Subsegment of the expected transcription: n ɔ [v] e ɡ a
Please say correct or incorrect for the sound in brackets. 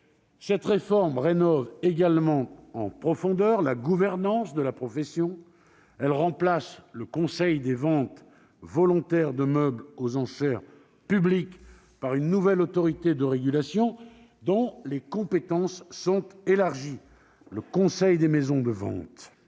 correct